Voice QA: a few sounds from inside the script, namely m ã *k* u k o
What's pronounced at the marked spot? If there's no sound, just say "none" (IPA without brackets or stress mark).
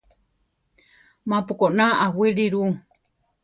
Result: p